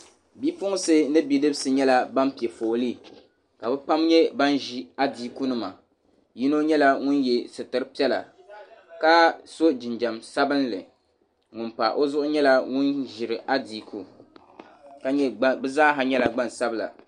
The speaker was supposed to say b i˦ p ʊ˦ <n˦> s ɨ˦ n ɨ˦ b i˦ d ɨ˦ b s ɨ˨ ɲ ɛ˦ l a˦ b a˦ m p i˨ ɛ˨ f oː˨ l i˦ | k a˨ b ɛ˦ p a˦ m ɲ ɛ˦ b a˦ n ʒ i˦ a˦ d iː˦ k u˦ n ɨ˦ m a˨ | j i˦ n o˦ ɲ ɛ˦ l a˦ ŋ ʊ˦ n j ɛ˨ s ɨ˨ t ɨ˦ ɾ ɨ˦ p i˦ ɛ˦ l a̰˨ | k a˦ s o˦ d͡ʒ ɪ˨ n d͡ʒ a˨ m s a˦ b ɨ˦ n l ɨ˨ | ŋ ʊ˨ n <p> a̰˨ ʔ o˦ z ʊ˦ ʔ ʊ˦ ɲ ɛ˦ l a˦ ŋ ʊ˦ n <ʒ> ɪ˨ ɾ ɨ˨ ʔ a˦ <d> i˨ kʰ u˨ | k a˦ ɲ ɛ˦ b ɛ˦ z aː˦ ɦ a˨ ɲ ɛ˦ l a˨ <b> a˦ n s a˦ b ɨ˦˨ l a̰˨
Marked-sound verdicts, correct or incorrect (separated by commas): incorrect, correct, correct, correct, incorrect